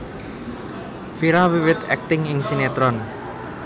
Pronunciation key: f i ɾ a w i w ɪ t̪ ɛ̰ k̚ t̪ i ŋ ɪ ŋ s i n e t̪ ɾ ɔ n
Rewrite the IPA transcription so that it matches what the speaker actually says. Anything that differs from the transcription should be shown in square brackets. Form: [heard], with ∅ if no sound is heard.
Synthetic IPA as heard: f i ɾ a w i w ɪ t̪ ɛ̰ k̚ t̪ [ɪ] ŋ ɪ ŋ s i n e t̪ ɾ ɔ n